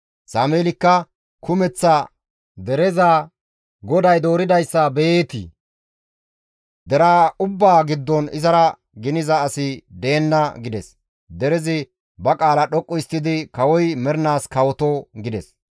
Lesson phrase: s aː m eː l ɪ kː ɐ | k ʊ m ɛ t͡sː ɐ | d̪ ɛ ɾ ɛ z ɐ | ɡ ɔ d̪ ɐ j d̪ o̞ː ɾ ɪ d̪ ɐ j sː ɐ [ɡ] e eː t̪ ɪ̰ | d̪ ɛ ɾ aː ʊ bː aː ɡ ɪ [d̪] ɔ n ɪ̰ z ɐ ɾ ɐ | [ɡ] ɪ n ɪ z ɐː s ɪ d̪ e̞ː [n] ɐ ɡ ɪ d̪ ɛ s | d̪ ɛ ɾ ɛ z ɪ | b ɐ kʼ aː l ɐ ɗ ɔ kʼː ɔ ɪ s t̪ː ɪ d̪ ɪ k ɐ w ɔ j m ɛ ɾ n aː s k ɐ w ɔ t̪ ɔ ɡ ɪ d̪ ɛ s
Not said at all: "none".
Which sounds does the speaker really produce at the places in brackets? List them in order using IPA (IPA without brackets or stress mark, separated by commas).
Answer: b, d̪ː, ɡ, nː